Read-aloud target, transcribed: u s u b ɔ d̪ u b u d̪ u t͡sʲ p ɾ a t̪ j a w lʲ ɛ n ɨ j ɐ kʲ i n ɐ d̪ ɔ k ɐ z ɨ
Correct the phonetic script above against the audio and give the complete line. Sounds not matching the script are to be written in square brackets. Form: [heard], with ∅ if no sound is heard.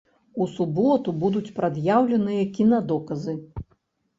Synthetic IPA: u s u b ɔ [t̪] u b u d̪ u t͡sʲ p ɾ a [d̪] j a w lʲ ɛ n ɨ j ɐ kʲ i n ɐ d̪ ɔ k ɐ z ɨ